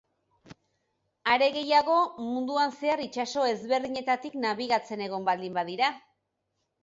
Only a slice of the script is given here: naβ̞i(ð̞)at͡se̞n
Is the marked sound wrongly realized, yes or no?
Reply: yes